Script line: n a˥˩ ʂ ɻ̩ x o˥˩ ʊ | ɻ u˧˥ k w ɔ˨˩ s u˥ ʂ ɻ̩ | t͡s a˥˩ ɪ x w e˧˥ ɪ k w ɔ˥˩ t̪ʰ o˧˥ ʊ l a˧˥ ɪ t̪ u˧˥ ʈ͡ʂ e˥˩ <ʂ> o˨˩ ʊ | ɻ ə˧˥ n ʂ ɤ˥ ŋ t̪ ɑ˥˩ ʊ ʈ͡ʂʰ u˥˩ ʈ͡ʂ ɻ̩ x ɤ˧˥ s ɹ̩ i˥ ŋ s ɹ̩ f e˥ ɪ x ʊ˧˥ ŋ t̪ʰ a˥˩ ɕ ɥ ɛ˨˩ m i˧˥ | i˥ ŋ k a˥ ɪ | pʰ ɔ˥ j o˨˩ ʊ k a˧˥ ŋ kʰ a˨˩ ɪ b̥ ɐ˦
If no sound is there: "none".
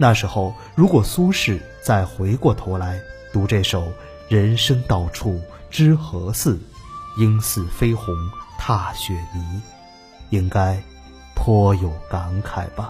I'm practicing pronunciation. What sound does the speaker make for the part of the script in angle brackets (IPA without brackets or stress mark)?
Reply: ʂ